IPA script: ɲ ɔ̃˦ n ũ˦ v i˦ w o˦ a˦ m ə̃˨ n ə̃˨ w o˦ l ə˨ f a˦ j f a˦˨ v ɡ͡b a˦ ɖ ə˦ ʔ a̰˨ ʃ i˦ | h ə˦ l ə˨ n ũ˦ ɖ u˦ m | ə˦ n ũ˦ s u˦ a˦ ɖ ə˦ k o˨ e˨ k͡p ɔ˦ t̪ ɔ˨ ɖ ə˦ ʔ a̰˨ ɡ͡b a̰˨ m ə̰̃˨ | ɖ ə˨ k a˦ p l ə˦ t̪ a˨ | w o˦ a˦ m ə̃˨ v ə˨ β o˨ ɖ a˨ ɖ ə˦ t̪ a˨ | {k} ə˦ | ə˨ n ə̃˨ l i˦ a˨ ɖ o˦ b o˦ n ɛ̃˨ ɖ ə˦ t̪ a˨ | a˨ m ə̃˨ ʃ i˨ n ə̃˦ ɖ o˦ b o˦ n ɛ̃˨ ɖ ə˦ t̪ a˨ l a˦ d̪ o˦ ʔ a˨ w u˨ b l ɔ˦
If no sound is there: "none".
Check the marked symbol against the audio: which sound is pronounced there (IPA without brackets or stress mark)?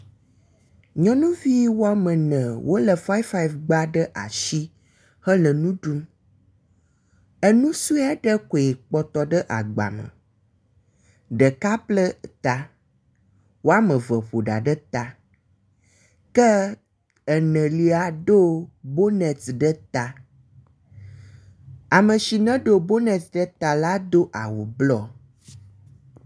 k